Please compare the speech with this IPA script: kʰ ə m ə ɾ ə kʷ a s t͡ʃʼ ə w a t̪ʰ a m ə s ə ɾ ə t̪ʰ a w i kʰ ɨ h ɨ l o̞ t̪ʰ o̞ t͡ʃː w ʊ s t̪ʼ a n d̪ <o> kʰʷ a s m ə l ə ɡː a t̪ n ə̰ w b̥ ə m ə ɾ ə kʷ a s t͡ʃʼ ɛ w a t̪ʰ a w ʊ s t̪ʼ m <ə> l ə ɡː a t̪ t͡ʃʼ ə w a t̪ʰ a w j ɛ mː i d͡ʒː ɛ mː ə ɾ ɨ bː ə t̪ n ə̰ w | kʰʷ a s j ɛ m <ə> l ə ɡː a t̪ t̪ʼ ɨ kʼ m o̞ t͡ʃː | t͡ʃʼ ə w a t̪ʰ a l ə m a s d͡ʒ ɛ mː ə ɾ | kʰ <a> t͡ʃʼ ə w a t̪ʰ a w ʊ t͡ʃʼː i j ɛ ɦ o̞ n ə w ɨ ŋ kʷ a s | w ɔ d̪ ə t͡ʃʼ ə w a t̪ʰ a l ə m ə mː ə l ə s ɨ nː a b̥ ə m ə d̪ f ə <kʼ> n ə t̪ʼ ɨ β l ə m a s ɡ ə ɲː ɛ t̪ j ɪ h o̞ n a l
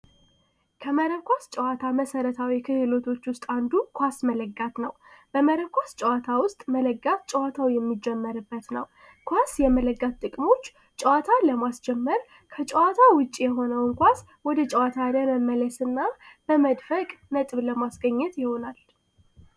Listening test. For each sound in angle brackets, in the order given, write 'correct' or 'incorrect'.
incorrect: u, correct, correct, incorrect: ə, correct

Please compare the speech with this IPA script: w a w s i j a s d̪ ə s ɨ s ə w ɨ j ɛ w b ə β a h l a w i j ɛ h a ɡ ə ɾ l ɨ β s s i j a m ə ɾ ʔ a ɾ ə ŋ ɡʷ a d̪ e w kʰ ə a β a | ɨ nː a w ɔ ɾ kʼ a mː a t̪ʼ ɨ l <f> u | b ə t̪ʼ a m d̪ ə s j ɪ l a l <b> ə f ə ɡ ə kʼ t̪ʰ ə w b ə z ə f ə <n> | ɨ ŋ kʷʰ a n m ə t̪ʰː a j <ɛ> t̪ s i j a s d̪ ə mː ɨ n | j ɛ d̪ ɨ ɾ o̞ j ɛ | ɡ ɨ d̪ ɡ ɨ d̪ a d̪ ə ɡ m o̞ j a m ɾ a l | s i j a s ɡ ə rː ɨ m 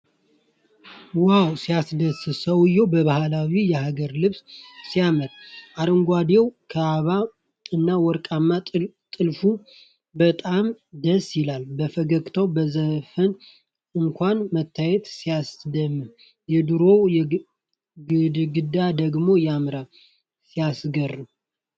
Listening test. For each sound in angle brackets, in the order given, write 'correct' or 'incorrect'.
correct, correct, correct, correct

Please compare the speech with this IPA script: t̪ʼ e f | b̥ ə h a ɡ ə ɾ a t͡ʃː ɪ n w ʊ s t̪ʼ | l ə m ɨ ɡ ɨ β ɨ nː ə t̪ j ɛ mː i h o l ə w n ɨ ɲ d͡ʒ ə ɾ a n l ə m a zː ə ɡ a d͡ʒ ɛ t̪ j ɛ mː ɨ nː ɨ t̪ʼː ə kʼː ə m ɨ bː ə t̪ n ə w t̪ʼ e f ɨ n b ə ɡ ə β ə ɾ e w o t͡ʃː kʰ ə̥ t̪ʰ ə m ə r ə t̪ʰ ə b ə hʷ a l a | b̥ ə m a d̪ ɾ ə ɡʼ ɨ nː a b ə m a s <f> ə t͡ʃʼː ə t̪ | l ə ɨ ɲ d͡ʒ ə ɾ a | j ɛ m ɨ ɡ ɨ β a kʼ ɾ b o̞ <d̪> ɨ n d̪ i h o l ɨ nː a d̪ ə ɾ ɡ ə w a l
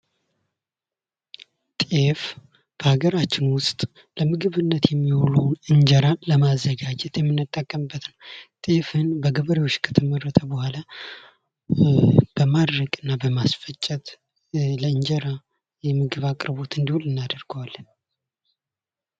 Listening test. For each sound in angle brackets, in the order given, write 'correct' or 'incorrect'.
correct, incorrect: t̪

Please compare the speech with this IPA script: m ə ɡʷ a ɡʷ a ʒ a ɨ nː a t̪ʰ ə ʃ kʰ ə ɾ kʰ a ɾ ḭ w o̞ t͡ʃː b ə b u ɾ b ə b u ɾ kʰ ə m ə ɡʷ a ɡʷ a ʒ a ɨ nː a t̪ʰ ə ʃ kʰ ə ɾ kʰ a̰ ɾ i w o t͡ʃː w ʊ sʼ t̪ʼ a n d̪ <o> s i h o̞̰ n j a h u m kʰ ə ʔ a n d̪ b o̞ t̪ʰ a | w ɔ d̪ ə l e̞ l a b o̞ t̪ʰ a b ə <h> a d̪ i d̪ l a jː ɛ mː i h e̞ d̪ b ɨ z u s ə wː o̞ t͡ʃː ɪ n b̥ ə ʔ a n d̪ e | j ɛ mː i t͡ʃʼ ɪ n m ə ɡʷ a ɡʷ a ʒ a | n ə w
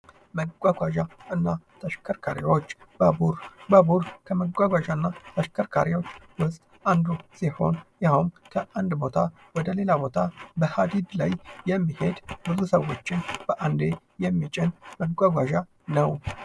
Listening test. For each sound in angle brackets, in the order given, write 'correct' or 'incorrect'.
incorrect: u, correct

